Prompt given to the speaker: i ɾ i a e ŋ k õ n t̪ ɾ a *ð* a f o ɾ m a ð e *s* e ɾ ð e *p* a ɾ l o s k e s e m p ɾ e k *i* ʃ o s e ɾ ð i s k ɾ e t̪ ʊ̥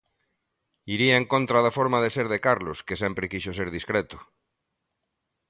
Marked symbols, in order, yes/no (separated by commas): yes, yes, no, yes